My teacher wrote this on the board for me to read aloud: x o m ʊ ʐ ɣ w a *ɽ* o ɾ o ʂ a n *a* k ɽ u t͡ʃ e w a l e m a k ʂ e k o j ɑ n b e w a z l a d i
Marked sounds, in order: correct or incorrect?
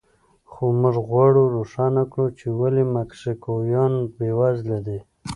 correct, correct

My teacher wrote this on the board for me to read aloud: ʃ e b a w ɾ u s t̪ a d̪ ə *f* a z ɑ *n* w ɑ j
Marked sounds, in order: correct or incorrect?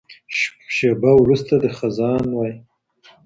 incorrect, correct

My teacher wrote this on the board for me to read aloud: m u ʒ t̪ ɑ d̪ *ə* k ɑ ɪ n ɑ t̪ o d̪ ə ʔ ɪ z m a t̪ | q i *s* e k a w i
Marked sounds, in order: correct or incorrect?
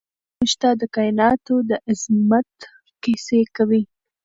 correct, correct

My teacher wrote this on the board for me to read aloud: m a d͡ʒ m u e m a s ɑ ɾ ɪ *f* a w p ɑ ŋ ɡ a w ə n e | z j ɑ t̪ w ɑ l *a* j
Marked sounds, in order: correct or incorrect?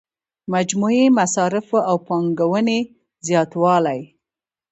correct, correct

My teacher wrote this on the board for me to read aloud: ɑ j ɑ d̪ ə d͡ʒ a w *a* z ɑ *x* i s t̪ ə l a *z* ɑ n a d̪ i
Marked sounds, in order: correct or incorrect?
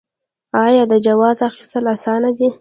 incorrect, correct, incorrect

